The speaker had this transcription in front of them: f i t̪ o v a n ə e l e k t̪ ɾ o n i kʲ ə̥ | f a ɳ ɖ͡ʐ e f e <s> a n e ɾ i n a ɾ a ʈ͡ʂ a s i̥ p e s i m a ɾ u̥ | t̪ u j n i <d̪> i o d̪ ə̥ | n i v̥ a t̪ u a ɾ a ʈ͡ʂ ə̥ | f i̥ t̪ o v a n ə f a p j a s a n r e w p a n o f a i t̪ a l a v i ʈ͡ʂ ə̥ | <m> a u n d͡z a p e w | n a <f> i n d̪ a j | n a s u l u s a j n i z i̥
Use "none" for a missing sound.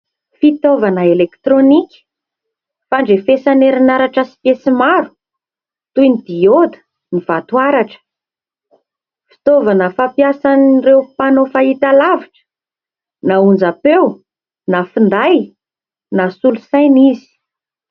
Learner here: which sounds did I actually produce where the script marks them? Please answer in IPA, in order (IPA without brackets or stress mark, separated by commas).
s, d̪, n, f